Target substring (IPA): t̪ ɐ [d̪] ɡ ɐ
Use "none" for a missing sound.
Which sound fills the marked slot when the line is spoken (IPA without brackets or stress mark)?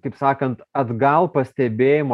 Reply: d̪